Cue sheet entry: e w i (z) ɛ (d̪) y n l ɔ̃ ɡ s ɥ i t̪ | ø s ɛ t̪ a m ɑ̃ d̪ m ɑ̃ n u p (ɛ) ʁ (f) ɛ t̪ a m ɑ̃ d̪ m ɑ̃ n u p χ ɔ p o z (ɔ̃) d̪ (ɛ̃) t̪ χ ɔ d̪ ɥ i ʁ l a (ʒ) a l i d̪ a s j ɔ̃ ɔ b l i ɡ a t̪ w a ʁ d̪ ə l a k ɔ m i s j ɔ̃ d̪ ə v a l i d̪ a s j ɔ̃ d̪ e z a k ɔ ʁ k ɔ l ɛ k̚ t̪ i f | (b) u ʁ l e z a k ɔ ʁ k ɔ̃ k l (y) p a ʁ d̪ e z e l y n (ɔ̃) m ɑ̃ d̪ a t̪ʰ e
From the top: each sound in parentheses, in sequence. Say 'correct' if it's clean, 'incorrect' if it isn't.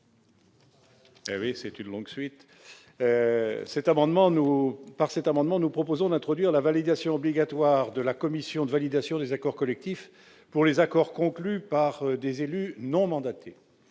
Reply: incorrect: s, incorrect: t̪, incorrect: a, incorrect: s, correct, correct, incorrect: v, incorrect: p, correct, correct

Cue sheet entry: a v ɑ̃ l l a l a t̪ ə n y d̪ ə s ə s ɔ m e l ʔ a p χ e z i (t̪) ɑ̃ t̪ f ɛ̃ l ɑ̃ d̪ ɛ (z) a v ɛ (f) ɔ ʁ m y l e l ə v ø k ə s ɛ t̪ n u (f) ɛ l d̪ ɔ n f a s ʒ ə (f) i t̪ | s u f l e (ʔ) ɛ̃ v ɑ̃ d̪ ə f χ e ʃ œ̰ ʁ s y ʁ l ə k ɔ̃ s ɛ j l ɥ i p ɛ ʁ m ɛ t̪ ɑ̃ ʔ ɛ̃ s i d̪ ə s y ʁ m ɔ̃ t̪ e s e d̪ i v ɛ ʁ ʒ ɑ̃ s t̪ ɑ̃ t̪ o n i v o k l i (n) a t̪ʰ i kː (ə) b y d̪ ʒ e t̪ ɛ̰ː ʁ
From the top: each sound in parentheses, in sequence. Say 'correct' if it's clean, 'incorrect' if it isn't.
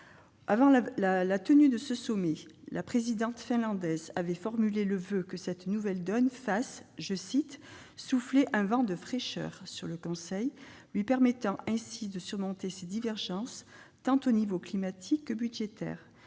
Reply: incorrect: d̪, correct, correct, incorrect: v, incorrect: s, correct, incorrect: m, correct

